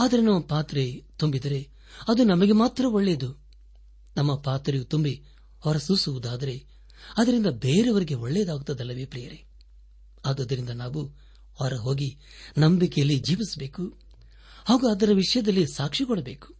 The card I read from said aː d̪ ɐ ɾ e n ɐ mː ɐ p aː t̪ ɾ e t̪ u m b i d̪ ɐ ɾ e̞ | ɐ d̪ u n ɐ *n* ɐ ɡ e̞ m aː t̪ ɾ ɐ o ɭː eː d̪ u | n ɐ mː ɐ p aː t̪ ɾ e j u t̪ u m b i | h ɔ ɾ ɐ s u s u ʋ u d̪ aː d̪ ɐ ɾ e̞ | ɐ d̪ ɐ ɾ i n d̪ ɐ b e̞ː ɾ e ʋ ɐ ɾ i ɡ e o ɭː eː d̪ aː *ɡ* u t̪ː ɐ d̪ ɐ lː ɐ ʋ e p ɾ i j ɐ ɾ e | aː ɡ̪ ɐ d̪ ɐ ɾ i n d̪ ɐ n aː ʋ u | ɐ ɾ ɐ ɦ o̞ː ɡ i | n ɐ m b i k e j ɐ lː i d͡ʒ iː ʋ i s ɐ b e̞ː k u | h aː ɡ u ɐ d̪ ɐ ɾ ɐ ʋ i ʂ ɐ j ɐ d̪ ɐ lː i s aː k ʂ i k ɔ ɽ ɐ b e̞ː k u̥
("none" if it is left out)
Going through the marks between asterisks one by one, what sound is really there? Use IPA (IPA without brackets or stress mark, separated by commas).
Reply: m, ɡ